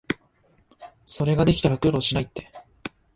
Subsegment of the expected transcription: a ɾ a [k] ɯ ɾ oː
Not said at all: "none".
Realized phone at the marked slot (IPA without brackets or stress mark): k